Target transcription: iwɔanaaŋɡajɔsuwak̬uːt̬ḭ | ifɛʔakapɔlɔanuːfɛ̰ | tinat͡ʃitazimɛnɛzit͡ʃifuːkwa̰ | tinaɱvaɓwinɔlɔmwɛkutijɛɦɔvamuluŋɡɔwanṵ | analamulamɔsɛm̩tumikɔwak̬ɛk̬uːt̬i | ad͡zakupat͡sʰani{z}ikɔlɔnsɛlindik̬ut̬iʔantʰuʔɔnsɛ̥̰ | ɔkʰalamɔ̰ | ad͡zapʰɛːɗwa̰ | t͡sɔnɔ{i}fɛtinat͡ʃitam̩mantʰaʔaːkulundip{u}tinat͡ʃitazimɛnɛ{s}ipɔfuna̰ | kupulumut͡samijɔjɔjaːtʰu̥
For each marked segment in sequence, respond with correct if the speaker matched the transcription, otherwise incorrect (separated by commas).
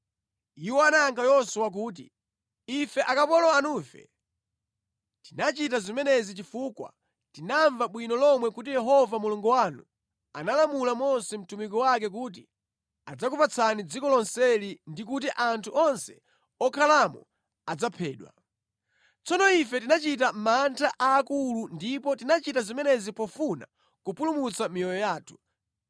incorrect, correct, incorrect, incorrect